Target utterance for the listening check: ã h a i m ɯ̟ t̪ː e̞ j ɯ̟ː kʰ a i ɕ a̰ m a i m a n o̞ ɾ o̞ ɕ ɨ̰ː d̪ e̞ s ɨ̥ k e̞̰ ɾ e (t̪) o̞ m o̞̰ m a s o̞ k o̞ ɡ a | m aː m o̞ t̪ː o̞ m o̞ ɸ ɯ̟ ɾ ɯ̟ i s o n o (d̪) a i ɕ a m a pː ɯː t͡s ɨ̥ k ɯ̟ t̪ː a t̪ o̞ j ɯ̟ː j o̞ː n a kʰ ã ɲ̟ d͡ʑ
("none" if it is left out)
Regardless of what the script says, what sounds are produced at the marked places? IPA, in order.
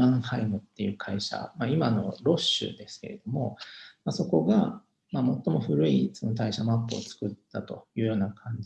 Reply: d̪, t̪

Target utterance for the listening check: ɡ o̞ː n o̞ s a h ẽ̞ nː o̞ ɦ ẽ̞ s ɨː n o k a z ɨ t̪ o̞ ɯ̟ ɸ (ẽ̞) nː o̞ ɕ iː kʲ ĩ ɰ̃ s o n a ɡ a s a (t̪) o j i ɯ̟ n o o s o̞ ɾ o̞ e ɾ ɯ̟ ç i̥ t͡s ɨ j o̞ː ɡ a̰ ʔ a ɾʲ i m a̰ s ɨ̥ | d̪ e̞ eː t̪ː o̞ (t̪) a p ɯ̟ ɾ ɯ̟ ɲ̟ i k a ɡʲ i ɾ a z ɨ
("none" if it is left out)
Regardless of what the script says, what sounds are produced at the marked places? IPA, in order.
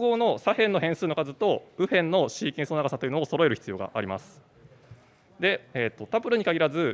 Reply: ẽ̞, t̪, t̪

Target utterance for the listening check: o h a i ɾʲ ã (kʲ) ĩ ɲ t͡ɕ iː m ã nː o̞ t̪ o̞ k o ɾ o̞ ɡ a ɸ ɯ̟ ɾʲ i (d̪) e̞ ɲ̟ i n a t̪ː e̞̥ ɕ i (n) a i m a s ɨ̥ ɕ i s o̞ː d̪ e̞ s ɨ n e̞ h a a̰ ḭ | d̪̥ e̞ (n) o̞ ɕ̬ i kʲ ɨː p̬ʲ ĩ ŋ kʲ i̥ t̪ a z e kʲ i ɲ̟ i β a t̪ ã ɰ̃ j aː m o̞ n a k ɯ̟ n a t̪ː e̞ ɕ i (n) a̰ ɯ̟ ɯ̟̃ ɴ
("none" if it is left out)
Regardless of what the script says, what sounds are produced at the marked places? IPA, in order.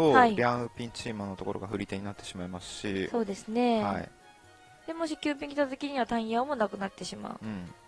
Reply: pʲ, t̪, m, m, m

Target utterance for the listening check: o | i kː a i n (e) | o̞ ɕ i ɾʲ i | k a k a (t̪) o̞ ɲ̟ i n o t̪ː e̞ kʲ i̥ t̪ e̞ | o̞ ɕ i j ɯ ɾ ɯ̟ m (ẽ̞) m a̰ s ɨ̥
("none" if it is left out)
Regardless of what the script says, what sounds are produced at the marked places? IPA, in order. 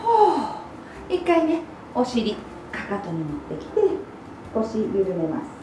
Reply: e, t̪, e̞

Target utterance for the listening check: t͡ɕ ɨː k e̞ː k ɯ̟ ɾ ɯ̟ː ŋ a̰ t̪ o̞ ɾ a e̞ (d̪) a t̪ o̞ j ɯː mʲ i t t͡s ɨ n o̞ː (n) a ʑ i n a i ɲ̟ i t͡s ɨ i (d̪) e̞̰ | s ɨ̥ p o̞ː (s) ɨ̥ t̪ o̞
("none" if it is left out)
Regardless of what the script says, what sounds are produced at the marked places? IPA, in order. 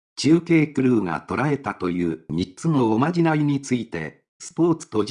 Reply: t̪, m, t̪, t͡s

